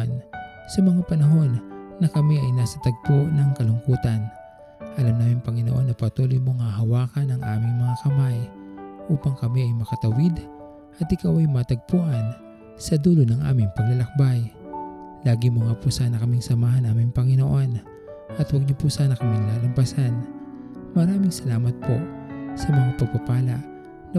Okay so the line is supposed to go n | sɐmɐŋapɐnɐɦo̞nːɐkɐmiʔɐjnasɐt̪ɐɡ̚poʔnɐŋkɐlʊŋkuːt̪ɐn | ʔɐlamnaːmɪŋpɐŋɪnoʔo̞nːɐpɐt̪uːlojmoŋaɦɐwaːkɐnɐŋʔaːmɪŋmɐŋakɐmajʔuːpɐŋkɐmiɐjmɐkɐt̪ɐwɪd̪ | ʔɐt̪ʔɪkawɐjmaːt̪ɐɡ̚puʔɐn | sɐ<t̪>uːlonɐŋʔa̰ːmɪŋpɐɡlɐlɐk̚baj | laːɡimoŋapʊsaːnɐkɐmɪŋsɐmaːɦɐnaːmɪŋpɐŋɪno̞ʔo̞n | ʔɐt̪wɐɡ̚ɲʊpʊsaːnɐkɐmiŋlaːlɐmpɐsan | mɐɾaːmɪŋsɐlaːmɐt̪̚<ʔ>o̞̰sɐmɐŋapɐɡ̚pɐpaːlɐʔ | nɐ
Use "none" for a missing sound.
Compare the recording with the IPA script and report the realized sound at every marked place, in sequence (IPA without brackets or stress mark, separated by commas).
d̪, p